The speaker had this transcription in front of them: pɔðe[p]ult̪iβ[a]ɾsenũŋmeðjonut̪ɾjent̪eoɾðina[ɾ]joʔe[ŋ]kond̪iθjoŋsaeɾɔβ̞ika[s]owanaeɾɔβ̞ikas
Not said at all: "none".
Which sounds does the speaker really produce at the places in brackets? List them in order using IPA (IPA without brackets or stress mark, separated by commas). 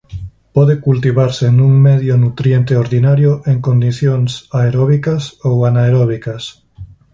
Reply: k, a, ɾ, ŋ, s